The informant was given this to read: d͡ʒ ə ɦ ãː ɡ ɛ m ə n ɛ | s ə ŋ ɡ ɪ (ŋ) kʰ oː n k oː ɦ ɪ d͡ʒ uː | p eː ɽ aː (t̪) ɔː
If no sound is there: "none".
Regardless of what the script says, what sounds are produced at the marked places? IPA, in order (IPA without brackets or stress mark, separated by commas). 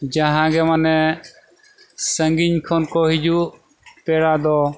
ɲ, d̪